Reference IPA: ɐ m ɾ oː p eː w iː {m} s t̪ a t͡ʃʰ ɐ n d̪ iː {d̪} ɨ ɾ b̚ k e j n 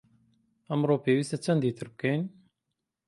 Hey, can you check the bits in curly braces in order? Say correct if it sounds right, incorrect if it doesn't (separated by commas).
incorrect, incorrect